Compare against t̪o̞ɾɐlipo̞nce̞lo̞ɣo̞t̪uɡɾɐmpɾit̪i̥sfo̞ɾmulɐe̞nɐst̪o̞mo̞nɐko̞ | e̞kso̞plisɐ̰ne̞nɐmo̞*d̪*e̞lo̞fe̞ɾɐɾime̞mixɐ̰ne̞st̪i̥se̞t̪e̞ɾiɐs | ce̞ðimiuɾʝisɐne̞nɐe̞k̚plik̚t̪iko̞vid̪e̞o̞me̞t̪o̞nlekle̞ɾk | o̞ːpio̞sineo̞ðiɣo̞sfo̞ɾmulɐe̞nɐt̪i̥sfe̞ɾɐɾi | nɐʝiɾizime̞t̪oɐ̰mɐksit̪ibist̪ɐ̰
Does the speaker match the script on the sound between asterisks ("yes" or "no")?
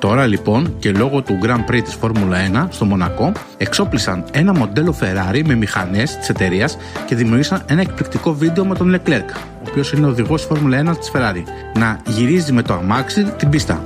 yes